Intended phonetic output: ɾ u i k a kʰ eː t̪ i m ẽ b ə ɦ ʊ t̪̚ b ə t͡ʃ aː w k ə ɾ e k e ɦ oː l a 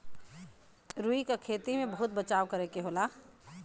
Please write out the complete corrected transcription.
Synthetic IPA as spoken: ɾ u i k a kʰ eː t̪ i m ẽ b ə ɦ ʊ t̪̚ b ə t͡ʃ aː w k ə ɾ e k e ɦ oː l a